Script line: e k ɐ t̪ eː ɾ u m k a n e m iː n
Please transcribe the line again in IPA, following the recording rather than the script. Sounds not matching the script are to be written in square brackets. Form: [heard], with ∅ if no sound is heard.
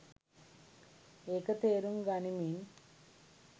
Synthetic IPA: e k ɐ t̪ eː ɾ u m [ɡ] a n [i] m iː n

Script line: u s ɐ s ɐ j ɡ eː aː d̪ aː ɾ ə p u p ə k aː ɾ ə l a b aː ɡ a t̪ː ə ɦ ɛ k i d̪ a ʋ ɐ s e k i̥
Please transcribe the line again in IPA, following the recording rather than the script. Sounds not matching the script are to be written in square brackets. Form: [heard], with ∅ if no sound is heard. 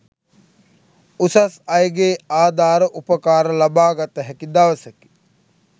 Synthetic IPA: u s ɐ s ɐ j ɡ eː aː d̪ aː ɾ ə [ʔ] u p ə k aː ɾ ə l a b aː ɡ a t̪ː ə ɦ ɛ k i d̪ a ʋ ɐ s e k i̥

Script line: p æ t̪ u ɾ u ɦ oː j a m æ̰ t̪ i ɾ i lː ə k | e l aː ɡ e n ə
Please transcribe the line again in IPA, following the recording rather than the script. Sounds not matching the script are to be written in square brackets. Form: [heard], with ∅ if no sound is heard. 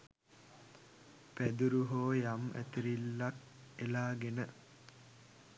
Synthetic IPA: p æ [d̪] u ɾ u ɦ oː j a m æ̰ t̪ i ɾ i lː [a] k | e l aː ɡ e n ə

